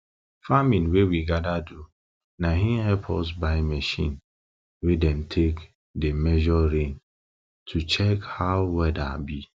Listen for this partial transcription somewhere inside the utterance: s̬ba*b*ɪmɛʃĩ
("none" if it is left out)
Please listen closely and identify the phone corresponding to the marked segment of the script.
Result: none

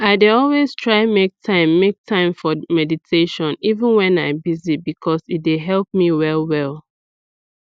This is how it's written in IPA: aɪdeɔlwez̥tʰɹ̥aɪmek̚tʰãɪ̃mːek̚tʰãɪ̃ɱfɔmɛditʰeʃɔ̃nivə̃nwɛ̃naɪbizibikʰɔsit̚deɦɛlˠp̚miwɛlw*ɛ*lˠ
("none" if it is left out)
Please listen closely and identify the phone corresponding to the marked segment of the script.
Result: ɛ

